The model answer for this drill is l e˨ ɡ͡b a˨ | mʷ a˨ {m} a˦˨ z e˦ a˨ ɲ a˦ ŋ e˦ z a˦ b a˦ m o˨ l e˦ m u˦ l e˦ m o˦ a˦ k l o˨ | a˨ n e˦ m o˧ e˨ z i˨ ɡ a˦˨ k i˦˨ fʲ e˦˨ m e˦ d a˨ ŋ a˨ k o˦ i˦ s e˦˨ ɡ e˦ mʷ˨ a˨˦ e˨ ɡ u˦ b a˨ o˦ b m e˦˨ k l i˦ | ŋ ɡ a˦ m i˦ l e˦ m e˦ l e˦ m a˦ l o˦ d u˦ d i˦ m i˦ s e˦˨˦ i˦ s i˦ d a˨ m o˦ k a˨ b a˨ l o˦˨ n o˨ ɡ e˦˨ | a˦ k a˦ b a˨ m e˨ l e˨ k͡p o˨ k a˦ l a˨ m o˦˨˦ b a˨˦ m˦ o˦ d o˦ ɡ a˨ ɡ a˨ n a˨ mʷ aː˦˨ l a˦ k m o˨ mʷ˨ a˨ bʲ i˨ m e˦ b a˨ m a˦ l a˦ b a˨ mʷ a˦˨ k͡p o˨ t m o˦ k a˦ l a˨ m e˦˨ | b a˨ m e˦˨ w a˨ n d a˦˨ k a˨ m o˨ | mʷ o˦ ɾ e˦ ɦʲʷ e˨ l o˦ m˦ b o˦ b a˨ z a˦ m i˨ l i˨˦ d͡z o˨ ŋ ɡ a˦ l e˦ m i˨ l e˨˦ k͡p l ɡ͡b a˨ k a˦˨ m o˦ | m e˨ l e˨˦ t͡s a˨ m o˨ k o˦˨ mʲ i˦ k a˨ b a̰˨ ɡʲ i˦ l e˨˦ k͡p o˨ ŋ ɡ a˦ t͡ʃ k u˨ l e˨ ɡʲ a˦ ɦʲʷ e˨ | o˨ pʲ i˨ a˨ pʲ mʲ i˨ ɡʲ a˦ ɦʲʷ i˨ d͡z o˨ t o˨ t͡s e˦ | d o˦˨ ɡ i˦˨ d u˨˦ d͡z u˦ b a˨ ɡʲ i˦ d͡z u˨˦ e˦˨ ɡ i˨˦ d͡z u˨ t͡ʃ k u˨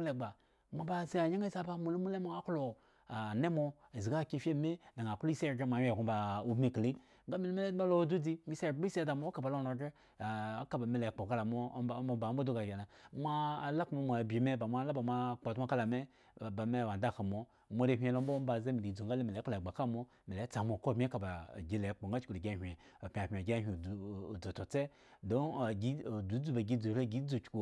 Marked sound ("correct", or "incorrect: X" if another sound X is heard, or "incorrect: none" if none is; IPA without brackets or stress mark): incorrect: b